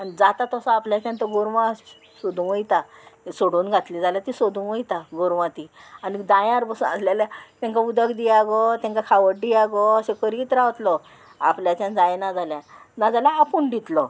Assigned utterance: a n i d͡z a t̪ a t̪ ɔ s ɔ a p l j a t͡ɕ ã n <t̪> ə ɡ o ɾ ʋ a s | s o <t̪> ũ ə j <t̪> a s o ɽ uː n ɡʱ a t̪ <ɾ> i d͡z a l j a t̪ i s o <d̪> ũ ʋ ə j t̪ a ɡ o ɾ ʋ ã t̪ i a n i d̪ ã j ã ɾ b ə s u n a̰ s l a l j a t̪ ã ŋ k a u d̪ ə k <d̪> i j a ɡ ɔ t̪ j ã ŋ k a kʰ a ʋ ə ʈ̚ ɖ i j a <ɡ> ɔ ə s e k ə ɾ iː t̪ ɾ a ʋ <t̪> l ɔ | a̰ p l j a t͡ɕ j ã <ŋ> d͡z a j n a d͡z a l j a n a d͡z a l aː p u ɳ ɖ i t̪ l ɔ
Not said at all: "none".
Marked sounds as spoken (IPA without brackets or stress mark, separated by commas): t̪, d̪, t̪, l, d̪, d̪, ɡ, t̪, n